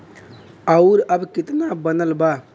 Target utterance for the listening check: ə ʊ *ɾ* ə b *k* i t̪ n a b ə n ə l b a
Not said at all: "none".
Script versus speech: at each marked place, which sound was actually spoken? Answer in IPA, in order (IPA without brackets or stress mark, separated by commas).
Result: ɾ, k